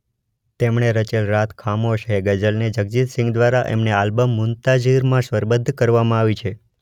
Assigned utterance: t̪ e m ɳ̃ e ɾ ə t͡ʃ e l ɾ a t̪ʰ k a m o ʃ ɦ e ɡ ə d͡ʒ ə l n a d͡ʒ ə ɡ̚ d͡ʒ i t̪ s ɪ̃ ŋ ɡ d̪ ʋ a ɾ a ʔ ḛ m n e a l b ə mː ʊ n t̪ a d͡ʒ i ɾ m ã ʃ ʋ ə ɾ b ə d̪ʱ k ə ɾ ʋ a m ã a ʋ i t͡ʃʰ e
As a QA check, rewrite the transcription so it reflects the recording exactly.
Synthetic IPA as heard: t̪ e m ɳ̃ e ɾ ə t͡ʃ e l ɾ a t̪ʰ kʰ a m o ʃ ɦ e ɡ ə d͡ʒ ə l n e d͡ʒ ə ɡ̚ d͡ʒ i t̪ s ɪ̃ ŋ ɡ d̪ ʋ a ɾ a ʔ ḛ m n e a l b ə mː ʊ n t̪ a d͡ʒ i ɾ m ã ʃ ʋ ə ɾ b ə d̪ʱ k ə ɾ ʋ a m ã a ʋ i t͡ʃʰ e